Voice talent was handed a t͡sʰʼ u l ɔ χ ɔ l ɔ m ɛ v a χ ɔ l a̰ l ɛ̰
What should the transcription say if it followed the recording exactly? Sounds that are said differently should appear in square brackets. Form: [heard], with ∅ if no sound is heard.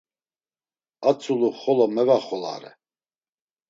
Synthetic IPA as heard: a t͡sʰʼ u l [u] χ ɔ l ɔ m ɛ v a χ ɔ l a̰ [ɾ] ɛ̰